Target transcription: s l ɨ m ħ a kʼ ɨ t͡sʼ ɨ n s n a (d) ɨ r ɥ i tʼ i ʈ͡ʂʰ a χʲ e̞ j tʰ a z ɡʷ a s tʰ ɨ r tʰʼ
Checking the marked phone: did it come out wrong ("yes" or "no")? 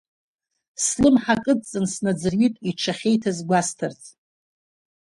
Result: yes